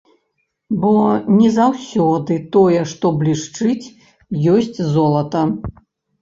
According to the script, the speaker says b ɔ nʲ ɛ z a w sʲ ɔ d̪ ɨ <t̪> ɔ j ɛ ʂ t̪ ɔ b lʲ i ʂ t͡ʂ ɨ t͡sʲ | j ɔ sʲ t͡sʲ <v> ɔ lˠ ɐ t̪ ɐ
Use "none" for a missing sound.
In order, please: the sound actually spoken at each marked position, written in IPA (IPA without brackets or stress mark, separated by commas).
t̪, z